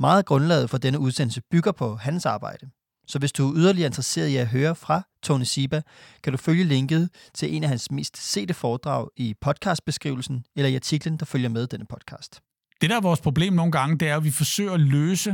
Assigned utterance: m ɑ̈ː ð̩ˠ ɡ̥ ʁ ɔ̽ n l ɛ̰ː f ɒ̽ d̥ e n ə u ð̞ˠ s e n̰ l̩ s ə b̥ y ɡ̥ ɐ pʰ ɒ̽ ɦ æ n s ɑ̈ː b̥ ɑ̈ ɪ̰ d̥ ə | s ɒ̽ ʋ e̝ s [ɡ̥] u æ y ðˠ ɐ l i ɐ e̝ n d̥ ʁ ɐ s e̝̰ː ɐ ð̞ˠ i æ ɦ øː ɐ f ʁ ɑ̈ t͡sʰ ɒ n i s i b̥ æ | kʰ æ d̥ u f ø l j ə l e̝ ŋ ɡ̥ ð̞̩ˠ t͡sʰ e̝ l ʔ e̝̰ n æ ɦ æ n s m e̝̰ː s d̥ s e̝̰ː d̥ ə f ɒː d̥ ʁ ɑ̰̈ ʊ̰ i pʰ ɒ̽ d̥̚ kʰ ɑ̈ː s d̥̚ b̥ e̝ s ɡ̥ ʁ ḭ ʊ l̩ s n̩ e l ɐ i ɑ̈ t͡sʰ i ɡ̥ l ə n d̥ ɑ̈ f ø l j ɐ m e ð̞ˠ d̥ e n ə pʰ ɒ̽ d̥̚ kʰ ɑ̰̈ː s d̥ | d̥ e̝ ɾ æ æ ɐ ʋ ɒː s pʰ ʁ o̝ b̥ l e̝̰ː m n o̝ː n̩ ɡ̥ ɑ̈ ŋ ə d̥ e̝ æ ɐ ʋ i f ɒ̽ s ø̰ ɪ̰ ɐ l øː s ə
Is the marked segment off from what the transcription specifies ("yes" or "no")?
yes